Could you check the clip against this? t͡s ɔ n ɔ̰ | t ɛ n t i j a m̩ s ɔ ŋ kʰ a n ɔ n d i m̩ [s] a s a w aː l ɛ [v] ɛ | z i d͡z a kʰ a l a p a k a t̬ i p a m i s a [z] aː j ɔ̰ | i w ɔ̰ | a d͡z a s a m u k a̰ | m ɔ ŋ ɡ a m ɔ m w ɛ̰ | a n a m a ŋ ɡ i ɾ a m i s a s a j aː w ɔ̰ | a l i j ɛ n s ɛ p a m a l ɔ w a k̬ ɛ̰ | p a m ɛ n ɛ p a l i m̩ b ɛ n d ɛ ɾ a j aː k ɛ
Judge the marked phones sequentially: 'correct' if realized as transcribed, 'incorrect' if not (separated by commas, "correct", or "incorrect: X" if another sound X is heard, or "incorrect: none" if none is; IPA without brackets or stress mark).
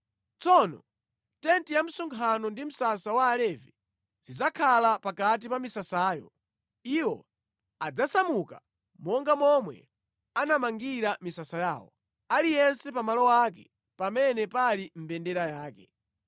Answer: correct, correct, incorrect: s